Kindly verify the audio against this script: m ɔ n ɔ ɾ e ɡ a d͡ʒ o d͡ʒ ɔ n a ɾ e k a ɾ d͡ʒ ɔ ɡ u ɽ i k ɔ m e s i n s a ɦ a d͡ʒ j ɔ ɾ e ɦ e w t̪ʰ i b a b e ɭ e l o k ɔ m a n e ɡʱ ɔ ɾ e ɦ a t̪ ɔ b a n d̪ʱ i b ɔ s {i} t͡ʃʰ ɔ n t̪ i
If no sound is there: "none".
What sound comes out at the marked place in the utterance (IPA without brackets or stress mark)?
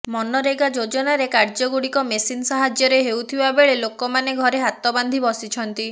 i